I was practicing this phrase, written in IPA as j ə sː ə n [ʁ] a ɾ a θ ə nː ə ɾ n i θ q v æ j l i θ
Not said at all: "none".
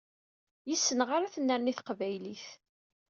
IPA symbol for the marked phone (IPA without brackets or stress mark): ʁ